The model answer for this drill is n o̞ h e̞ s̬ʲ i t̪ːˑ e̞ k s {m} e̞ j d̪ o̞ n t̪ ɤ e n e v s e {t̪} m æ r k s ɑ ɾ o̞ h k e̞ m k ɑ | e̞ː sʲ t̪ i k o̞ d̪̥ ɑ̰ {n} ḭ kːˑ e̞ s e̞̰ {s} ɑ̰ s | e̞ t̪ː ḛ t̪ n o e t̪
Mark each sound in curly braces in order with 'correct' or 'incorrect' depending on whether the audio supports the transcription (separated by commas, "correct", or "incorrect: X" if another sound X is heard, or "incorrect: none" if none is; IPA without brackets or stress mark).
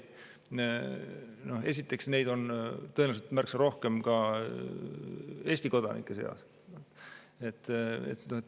incorrect: n, correct, correct, incorrect: none